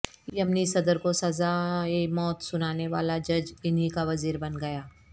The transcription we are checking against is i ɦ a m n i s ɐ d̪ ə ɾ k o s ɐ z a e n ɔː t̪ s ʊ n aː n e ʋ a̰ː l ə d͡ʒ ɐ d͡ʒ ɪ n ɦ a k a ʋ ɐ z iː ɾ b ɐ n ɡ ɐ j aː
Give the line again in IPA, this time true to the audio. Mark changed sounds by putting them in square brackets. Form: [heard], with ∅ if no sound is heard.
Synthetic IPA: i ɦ [ɐ] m n i s ɐ d̪ ə ɾ k o s ɐ z a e [m] ɔː t̪ s ʊ n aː n e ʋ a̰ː l [a] d͡ʒ ɐ d͡ʒ ɪ n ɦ [i] k a ʋ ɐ z iː ɾ b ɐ n ɡ ɐ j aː